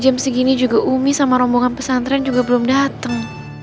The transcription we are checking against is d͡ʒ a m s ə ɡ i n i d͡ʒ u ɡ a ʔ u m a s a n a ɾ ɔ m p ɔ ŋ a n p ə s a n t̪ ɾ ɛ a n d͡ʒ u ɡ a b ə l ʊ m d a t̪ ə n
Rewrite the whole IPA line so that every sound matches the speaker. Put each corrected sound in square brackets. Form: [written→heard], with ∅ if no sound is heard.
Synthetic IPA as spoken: d͡ʒ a m s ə ɡ i n i d͡ʒ u ɡ a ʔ u m [a→i] s a [n→m] a ɾ ɔ m [p→b] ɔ ŋ a n p ə s a n t̪ ɾ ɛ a n d͡ʒ u ɡ a b ə l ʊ m d a t̪ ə [n→ŋ]